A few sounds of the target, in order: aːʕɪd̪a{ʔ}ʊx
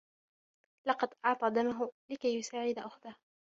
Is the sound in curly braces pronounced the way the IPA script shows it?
yes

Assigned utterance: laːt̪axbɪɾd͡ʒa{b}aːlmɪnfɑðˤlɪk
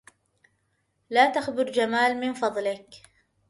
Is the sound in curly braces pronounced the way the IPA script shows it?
no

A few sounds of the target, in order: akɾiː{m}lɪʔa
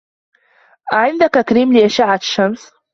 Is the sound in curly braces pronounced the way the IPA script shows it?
yes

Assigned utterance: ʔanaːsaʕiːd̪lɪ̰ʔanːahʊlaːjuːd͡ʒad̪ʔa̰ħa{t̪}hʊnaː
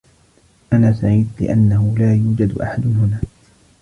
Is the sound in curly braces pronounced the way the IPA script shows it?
no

